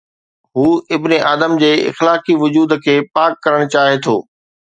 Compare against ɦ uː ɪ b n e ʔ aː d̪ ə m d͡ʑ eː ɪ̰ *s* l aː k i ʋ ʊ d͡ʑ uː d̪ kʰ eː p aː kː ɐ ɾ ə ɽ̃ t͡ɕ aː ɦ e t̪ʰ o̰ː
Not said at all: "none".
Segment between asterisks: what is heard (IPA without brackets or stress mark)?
x